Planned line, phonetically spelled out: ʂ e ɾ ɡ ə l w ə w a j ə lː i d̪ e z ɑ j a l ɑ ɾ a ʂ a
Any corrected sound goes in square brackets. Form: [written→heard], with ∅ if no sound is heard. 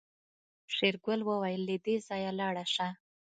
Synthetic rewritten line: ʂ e ɾ ɡ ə l w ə w a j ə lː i d̪ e z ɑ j a l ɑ [ɾ→ɽ] a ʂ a

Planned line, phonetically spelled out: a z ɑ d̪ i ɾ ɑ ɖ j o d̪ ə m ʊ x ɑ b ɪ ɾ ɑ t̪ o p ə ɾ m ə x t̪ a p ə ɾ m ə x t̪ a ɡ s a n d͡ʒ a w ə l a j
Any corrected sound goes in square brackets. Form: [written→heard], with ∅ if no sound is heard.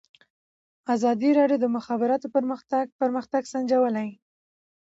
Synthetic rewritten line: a z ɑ d̪ i ɾ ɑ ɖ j o d̪ ə m ʊ x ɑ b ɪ ɾ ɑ t̪ o p ə ɾ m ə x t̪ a p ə ɾ m ə x t̪ a ɡ s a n d͡ʒ a w ə l a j

